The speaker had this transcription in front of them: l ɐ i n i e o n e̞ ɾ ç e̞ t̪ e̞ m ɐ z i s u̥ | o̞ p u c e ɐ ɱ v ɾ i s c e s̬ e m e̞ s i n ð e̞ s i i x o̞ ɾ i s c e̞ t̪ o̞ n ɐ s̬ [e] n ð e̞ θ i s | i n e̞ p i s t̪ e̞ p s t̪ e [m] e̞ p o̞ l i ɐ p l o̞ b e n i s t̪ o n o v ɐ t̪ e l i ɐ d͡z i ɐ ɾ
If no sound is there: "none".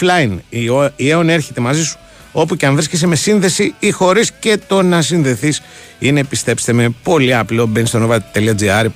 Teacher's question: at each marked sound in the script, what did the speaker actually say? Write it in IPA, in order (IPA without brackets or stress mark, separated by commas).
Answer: i, m